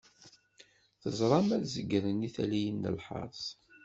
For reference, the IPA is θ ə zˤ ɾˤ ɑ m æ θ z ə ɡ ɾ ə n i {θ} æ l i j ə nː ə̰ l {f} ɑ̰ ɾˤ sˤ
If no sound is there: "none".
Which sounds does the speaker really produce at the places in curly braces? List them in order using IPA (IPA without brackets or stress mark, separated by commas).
θ, ħ